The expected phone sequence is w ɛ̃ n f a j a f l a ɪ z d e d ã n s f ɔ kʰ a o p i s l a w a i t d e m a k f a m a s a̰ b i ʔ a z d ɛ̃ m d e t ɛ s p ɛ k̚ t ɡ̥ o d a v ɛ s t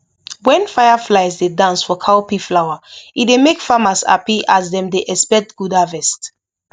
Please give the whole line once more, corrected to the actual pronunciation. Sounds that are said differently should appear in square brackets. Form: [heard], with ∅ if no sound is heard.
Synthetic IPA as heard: w ɛ̃ n f a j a f l a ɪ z d e d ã n s f ɔ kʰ a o p i [f] l a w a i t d e m [e] k f a m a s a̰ [p] i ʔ a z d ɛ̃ m d e [ʔ] ɛ s p ɛ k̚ t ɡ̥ [u] d a v ɛ s t